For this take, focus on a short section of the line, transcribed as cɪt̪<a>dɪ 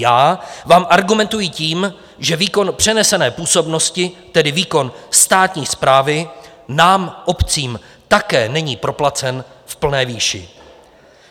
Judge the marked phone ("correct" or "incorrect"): incorrect